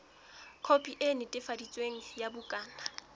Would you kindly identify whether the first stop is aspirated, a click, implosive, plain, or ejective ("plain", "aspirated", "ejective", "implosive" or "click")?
aspirated